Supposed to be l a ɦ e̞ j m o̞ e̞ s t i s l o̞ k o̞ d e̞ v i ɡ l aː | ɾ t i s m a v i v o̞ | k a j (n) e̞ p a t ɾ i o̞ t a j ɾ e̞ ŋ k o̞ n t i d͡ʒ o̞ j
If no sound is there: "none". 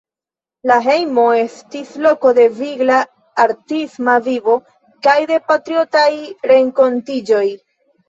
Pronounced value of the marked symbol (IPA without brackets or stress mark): d